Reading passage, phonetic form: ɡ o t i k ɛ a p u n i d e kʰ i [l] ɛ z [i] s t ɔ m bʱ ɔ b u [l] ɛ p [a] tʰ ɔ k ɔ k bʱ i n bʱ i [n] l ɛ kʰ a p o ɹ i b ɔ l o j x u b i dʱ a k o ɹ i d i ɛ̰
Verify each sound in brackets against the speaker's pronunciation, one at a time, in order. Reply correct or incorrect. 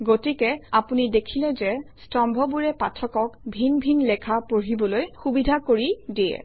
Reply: correct, incorrect, incorrect, correct, correct

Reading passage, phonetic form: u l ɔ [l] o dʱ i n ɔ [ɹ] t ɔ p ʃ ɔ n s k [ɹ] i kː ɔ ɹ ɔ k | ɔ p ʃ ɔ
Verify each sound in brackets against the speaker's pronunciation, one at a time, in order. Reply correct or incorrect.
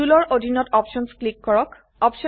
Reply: incorrect, incorrect, incorrect

